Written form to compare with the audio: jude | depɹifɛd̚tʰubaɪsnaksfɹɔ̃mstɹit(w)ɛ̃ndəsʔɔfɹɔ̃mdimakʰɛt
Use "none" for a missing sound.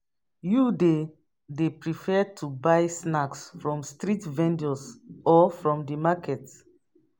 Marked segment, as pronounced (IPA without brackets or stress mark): v